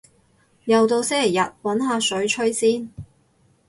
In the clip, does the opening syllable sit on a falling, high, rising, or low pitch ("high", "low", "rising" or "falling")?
low